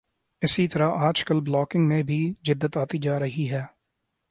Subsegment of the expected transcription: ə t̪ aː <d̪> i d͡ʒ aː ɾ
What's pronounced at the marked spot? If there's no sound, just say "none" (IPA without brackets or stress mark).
t̪